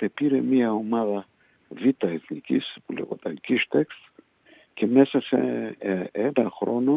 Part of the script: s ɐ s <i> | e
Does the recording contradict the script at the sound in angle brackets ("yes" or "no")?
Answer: yes